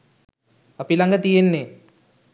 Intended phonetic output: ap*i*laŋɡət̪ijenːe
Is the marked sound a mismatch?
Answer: no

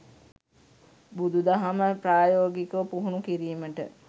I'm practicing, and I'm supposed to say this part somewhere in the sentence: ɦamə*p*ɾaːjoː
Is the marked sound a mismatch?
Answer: no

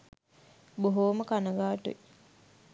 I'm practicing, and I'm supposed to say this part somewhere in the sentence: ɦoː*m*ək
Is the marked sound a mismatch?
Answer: no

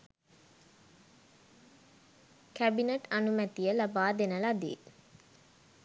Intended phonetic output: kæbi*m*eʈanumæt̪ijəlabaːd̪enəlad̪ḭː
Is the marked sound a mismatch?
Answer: yes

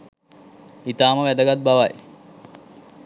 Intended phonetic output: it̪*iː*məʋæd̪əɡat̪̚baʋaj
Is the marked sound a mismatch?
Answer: yes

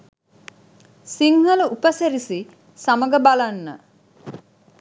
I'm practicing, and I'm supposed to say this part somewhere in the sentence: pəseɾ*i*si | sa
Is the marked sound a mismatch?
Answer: no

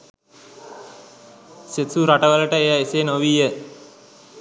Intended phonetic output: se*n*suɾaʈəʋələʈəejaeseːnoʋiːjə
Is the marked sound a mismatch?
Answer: yes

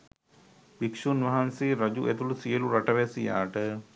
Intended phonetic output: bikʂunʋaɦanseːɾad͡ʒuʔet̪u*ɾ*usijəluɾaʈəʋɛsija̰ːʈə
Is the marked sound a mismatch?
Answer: yes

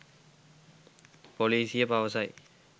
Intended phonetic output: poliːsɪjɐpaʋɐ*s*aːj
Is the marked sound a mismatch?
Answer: no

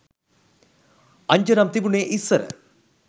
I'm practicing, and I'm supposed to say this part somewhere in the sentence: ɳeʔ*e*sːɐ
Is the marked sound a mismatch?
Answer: yes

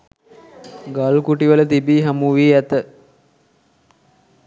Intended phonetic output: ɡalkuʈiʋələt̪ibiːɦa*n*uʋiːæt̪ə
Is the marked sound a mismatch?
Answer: yes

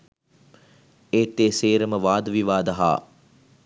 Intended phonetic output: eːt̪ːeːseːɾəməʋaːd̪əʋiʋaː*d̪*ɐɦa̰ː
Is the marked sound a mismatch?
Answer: no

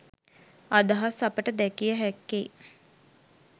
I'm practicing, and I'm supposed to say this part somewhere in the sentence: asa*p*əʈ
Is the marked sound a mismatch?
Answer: no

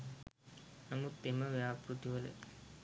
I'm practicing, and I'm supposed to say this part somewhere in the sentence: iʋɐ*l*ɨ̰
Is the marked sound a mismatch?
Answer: no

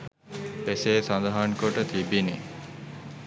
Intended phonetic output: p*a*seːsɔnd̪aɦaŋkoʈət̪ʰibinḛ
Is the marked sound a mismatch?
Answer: yes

